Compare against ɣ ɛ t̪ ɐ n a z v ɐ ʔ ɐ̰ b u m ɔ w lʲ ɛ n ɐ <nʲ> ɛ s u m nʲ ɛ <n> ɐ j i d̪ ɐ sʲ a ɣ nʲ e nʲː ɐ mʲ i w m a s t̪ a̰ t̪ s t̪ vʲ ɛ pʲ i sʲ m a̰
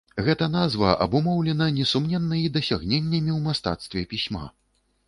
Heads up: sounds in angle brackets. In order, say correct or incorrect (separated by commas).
correct, incorrect